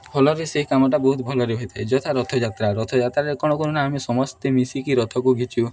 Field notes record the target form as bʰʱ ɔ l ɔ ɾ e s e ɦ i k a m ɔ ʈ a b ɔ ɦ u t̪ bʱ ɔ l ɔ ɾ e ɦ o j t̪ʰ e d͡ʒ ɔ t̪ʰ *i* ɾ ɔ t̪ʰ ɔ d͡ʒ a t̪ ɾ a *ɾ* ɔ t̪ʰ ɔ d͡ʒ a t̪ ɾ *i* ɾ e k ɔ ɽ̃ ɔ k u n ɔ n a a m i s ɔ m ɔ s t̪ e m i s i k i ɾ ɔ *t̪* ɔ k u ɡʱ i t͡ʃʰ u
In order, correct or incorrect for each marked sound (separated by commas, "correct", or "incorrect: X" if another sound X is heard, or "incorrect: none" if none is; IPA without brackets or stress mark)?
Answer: incorrect: a, correct, incorrect: a, incorrect: t̪ʰ